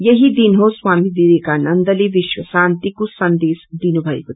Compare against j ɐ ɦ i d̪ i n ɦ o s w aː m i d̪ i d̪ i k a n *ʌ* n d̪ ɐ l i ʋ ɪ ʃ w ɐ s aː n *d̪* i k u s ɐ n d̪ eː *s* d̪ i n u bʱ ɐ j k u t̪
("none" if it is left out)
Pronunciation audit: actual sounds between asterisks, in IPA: ɐ, t̪, s

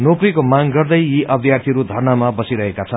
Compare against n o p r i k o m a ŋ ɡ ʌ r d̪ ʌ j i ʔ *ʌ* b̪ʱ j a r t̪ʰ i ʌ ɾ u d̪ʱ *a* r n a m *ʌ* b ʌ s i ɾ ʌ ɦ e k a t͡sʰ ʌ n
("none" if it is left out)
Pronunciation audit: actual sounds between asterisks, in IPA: ʌ, ʌ, a

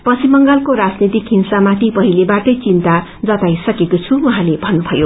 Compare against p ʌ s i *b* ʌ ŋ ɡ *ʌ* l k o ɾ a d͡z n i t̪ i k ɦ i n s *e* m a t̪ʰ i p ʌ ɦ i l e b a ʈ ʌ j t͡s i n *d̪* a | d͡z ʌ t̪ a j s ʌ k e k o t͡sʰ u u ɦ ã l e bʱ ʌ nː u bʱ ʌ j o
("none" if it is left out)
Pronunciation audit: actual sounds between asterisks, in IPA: m, a, a, t̪

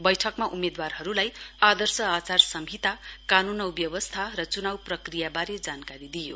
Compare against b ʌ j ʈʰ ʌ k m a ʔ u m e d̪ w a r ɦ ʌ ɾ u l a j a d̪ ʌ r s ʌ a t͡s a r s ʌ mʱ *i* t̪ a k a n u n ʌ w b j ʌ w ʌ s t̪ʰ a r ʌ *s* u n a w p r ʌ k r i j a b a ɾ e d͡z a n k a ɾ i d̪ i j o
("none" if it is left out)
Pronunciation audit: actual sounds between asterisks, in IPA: i, t͡s

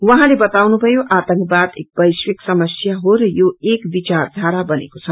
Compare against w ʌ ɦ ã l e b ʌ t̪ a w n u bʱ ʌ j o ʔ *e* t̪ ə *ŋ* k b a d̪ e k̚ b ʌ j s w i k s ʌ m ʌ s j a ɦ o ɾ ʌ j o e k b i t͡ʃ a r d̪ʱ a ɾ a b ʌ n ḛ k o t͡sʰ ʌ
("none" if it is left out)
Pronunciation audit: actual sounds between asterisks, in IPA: a, ŋ

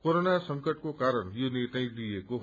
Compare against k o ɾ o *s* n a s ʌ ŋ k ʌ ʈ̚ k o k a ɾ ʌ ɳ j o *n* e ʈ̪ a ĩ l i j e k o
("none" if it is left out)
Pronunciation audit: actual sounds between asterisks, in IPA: none, n

